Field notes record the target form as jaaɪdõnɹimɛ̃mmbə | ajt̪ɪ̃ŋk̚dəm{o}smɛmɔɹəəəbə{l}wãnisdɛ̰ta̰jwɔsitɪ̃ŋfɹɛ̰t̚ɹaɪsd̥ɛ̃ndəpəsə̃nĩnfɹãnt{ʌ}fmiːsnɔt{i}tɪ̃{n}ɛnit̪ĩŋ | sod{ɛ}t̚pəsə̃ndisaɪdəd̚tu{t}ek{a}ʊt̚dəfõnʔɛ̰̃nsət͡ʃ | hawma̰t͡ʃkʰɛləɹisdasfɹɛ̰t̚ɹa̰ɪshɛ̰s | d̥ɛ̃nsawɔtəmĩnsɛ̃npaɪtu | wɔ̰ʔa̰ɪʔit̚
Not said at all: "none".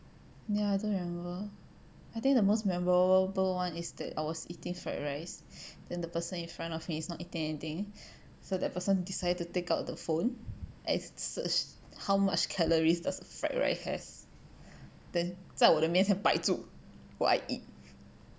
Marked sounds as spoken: o, l, ɔ, i, ŋ, ɛ, t, a

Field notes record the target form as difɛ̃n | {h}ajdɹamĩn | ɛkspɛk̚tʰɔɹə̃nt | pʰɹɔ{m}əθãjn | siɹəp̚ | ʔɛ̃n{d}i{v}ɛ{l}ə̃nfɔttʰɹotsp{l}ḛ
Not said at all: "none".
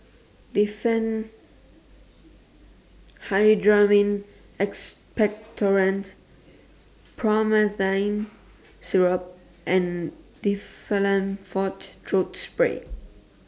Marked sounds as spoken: h, m, d, f, l, ɹ

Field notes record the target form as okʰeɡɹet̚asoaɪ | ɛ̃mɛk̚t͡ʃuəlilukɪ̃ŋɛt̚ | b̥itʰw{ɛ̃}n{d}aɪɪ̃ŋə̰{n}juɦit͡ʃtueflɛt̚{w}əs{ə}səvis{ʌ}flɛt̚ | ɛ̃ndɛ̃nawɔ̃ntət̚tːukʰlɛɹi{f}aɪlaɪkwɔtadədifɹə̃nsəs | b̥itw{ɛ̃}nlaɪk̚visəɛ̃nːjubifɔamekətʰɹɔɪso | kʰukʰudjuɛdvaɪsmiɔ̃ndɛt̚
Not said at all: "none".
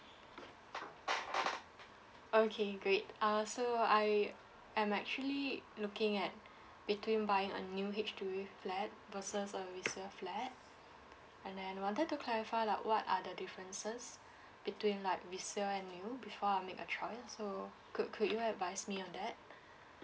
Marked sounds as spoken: ĩ, b, n, v, ə, ə, f, ĩ

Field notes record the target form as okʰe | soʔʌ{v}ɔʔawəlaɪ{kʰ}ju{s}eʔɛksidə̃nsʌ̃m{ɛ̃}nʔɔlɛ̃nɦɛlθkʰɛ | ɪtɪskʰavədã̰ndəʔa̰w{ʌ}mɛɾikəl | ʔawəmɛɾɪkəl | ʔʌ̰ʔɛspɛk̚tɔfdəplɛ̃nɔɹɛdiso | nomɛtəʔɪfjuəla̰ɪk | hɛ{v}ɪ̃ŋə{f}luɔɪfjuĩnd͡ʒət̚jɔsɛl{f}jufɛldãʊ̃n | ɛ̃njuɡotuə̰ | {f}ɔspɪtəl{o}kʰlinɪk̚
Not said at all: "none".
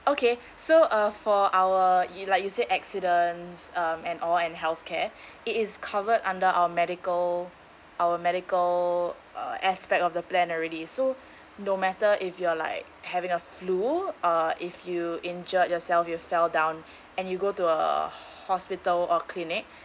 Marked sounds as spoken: f, k, s, ɛ̃, ə, v, f, f, h, ɔ

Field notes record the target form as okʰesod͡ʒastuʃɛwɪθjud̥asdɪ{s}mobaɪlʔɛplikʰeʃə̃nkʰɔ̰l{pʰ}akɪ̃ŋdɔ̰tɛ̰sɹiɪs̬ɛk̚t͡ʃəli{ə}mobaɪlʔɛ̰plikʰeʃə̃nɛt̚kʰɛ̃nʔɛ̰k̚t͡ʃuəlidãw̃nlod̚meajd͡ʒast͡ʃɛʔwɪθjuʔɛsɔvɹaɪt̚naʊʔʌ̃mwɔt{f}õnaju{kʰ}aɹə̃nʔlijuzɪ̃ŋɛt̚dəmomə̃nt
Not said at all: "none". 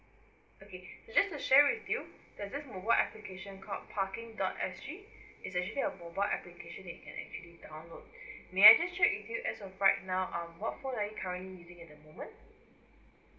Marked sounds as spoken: s, pʰ, ə, f, kʰ

